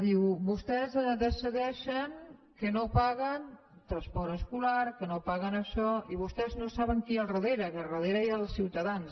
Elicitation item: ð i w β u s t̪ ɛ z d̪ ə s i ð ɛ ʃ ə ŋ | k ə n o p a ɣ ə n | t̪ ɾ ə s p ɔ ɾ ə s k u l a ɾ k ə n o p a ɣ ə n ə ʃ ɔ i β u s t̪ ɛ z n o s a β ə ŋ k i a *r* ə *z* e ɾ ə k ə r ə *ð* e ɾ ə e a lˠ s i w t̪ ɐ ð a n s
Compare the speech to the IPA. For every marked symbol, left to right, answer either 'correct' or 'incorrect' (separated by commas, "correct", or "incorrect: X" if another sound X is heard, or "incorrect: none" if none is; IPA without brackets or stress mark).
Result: correct, incorrect: ð, correct